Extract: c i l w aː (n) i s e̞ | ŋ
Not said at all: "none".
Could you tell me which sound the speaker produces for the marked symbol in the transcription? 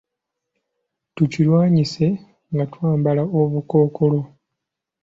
ɲ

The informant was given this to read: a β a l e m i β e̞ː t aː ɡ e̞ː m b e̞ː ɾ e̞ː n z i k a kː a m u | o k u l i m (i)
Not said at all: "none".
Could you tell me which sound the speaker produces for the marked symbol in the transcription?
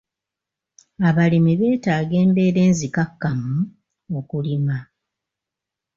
a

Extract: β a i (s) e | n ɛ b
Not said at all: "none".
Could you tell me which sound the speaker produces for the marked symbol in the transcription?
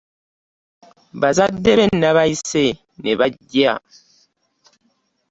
s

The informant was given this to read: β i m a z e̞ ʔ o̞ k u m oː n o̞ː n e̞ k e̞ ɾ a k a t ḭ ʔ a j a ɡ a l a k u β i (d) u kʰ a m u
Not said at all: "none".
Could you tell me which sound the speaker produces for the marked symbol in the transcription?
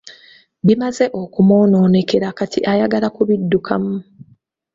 dː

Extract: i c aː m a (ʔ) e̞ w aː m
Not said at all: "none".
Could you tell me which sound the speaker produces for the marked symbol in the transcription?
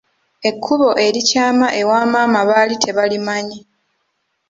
ʔ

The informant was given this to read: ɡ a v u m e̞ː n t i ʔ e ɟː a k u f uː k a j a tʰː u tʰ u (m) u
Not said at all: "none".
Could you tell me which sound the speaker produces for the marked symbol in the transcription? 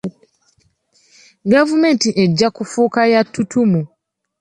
m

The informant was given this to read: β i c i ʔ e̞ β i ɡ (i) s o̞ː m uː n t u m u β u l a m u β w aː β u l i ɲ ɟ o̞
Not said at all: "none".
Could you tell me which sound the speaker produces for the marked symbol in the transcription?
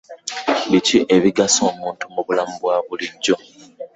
a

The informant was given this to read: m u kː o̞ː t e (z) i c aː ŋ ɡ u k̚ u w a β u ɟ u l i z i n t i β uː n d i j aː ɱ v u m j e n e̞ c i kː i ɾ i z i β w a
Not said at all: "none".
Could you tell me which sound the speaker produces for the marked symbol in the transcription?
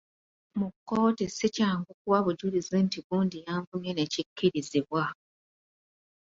s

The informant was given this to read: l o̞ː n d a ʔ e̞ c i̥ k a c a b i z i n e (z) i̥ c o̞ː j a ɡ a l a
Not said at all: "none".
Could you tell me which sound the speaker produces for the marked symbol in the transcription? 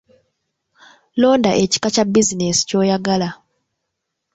s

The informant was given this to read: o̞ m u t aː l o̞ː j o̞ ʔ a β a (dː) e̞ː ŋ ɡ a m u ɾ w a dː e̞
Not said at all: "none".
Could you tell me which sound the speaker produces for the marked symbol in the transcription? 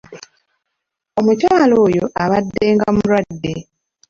dː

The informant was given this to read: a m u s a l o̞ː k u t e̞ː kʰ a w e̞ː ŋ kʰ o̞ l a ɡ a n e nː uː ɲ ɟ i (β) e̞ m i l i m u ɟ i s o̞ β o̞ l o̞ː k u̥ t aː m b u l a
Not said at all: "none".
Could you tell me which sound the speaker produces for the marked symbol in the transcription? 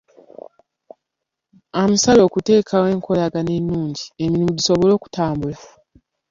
none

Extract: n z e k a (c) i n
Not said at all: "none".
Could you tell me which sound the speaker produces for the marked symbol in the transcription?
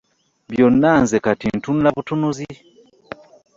t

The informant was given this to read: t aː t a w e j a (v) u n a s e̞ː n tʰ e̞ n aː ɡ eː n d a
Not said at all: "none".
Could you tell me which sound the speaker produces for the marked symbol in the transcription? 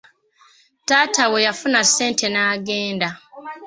f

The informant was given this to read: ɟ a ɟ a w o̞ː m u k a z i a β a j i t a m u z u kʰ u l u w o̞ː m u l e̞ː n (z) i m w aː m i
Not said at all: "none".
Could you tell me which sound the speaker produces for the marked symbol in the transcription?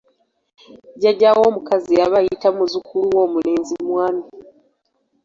z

